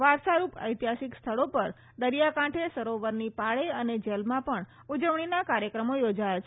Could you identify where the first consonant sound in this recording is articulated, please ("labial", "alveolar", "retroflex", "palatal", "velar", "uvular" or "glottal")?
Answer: labial